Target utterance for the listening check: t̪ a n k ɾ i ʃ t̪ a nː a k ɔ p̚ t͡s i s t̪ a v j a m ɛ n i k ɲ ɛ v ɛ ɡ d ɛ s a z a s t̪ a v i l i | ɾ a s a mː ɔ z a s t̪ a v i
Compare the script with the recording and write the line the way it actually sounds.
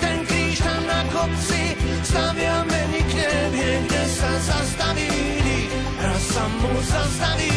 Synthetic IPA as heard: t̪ ɛ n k ɾ i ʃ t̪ a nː a k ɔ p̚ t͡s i s t̪ a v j a m ɛ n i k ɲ ɛ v ɛ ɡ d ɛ s a z a s t̪ a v i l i | ɾ a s a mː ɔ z a s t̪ a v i